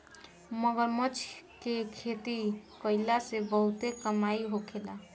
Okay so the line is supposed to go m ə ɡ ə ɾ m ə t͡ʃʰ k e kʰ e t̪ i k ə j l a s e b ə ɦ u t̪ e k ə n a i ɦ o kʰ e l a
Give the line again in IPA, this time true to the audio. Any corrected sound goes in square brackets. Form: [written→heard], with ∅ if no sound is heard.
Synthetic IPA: m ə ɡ ə ɾ m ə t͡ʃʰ k e kʰ e t̪ i k ə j l a s e b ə ɦ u t̪ e k ə [n→m] a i ɦ o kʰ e l a